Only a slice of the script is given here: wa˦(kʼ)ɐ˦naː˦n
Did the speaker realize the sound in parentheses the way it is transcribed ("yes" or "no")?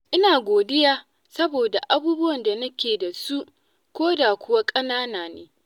yes